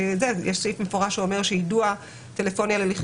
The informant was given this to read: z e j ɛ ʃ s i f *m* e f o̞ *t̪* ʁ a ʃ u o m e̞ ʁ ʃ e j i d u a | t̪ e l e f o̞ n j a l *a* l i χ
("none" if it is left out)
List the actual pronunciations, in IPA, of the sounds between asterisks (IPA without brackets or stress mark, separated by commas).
m, none, e